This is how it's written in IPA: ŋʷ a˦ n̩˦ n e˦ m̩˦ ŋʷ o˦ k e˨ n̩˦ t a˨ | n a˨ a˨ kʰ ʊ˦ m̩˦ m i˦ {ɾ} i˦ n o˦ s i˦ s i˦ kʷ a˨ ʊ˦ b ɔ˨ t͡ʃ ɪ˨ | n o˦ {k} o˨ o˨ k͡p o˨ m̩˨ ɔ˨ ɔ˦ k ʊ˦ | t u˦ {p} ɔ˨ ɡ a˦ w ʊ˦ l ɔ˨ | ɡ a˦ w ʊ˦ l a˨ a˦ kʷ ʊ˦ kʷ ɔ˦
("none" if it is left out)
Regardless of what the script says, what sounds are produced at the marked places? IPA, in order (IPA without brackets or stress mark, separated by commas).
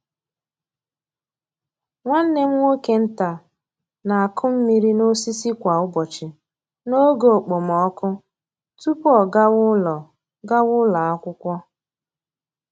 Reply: ɾ, ɡ, p